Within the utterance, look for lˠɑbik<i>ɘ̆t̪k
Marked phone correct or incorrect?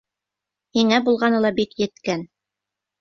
incorrect